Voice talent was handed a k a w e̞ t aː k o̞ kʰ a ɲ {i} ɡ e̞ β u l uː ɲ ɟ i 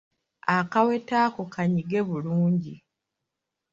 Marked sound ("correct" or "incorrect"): correct